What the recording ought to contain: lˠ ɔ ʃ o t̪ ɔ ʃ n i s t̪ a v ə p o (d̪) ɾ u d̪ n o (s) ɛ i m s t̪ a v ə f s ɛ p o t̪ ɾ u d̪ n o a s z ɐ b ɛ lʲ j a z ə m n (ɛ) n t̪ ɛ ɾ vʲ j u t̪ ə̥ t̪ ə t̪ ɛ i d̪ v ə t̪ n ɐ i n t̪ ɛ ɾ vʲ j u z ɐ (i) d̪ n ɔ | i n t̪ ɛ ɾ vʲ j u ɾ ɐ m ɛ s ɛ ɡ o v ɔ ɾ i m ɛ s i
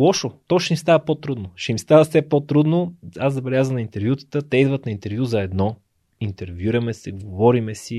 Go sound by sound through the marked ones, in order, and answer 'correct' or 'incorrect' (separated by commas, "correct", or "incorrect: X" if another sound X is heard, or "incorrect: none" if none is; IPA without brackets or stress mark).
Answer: incorrect: t̪, incorrect: ʃ, incorrect: i, incorrect: ɛ